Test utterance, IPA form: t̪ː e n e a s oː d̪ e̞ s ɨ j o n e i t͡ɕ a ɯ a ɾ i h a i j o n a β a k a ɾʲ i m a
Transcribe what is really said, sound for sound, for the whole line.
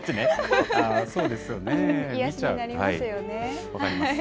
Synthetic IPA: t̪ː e n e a s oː d̪ e̞ s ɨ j o n e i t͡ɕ a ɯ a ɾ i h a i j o n e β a k a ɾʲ i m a